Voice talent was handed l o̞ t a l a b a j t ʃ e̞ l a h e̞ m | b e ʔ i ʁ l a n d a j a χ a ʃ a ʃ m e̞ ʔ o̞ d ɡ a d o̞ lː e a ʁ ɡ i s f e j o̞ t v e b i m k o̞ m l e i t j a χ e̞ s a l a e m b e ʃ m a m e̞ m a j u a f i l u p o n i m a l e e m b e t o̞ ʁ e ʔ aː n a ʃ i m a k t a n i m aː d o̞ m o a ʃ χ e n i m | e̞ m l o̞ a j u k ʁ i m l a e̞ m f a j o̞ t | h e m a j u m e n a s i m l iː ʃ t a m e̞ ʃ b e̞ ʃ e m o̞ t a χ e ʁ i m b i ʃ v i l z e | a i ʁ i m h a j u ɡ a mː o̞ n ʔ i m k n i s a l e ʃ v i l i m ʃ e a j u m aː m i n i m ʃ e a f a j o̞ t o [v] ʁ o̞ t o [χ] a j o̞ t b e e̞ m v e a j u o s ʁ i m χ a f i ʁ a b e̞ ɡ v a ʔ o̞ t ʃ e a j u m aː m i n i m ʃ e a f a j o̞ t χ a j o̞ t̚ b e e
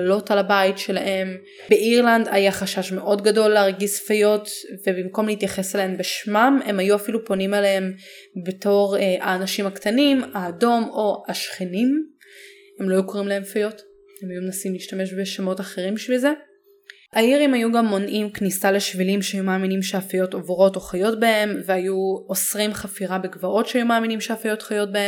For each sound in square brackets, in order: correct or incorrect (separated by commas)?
correct, correct